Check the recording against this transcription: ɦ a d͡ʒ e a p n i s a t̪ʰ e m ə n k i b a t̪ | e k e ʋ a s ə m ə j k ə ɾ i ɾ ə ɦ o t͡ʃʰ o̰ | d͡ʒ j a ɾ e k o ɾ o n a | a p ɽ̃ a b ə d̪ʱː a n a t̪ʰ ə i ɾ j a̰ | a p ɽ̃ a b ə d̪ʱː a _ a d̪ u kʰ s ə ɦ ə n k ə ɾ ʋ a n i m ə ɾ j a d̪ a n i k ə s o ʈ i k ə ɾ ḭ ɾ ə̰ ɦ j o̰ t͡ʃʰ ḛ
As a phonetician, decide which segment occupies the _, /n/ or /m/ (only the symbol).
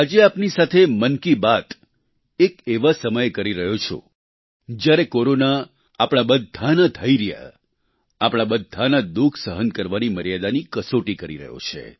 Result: n